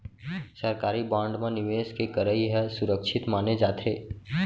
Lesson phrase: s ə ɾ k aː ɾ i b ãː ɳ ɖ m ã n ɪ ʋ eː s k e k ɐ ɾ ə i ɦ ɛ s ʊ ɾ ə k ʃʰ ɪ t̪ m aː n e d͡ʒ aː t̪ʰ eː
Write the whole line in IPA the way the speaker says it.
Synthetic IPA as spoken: s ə ɾ k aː ɾ i b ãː ɳ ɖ m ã n ɪ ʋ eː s k e k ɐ ɾ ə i ɦ ɛ s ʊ ɾ ə k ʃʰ ɪ t̪ m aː n e d͡ʒ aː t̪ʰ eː